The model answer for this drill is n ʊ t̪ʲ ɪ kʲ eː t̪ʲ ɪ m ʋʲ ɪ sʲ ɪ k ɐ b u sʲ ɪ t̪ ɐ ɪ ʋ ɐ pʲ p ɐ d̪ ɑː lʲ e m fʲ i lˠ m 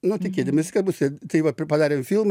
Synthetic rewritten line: n ʊ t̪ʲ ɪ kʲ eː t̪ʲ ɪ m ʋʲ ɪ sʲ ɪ k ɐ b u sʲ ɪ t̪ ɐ ɪ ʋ ɐ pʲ p ɐ d̪ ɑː ɾʲ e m fʲ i lˠ m